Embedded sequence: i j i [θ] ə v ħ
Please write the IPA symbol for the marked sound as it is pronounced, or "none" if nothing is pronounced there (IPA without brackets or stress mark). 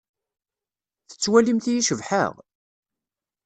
ʃ